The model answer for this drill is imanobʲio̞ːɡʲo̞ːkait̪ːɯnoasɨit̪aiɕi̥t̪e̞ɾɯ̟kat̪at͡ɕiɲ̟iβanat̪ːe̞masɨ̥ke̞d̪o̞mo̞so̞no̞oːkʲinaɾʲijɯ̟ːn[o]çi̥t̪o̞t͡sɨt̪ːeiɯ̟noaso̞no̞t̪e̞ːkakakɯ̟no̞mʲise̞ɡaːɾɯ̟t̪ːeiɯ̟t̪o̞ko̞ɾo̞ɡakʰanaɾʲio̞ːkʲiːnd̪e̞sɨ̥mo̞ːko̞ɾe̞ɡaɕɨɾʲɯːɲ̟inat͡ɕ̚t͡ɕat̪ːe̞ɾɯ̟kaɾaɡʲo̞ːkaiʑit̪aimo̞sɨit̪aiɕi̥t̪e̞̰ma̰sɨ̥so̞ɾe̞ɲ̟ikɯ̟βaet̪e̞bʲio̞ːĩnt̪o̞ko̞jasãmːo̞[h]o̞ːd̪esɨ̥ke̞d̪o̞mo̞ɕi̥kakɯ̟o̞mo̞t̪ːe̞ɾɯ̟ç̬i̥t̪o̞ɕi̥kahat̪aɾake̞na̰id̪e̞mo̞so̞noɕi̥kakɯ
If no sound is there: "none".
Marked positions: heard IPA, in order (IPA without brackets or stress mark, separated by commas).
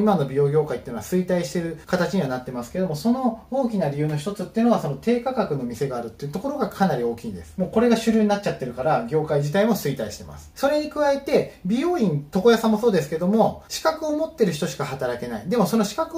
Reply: o, s